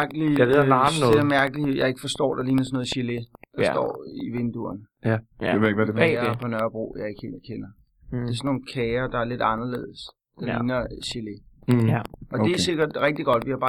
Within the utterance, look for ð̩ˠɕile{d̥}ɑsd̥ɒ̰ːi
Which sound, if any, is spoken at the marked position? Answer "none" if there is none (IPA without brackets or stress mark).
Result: d̥